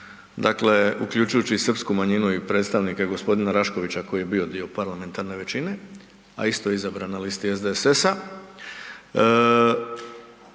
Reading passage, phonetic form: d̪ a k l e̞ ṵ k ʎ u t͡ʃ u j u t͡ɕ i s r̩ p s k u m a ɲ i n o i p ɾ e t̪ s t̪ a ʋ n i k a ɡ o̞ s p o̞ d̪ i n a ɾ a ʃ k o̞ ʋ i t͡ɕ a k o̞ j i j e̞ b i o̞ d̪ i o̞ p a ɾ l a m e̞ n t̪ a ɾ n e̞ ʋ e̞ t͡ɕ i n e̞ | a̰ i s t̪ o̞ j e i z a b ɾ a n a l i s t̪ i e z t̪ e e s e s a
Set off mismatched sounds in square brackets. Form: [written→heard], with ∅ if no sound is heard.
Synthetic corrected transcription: d̪ a k l e̞ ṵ k ʎ u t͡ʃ u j u t͡ɕ i s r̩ p s k u m a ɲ i n [o→u] i p ɾ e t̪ s t̪ a ʋ n i k a ɡ o̞ s p o̞ d̪ i n a ɾ a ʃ k o̞ ʋ i t͡ɕ a k o̞ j i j e̞ b i o̞ d̪ i o̞ p a ɾ l a m e̞ n t̪ a ɾ n e̞ ʋ e̞ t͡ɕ i n e̞ | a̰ i s t̪ o̞ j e i z a b ɾ a n a l i s t̪ i e z [t̪→d̪] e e s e s a